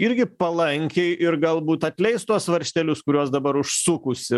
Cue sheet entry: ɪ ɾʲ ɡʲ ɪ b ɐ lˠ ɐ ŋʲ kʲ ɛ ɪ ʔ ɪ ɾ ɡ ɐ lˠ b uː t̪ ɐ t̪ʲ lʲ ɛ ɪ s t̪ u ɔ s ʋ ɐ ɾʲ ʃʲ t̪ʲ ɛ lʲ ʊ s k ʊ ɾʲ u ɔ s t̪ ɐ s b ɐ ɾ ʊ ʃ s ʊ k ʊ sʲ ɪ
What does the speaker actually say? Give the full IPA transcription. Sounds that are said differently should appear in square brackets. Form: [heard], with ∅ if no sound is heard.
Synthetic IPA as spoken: ɪ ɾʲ ɡʲ ɪ [p] ɐ lˠ ɐ ŋʲ kʲ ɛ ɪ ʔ ɪ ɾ ɡ ɐ lˠ b uː t̪ ɐ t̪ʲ lʲ ɛ ɪ s t̪ u ɔ s ʋ ɐ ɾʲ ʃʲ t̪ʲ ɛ lʲ ʊ s k ʊ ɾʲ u ɔ s [d̪] ɐ [∅] b ɐ ɾ ʊ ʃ s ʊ k ʊ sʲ ɪ